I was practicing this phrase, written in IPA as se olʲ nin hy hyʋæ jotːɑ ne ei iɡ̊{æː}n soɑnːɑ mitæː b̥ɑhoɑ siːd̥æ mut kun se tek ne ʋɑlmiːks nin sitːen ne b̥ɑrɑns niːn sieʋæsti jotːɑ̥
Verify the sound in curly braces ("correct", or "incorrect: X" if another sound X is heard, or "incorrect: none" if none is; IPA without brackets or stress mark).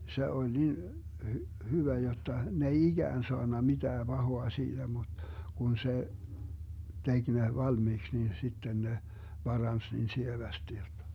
correct